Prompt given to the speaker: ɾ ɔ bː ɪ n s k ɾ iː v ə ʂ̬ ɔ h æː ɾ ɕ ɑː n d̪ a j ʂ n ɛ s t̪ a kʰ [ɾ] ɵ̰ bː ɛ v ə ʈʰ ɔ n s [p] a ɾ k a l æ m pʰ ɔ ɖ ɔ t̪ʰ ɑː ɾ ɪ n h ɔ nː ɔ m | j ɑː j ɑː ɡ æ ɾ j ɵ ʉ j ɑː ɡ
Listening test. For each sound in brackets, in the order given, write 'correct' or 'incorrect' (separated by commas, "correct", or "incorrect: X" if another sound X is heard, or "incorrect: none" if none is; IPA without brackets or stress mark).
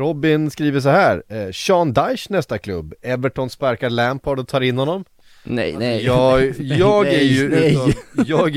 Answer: incorrect: l, correct